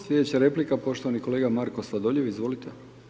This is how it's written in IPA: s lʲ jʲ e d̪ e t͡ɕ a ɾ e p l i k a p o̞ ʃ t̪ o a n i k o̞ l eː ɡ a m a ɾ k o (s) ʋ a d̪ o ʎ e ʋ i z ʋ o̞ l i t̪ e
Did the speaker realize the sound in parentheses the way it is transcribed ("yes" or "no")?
yes